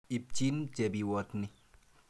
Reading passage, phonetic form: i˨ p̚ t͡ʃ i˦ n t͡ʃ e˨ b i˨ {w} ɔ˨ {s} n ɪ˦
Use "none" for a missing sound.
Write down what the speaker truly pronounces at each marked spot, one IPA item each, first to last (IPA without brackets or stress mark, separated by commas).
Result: w, t